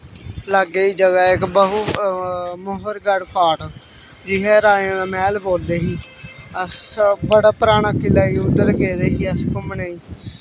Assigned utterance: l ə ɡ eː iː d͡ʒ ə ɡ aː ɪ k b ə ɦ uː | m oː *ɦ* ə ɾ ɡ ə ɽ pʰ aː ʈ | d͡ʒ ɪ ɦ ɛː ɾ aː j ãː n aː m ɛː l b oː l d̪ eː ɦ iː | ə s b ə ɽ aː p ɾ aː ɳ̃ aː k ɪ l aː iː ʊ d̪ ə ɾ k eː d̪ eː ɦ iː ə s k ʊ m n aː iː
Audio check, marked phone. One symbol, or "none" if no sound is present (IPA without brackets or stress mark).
ɦ